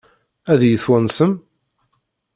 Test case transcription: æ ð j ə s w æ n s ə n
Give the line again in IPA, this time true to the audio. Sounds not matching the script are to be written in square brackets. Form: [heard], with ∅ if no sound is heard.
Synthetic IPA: æ ð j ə [θ] w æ n s ə [m]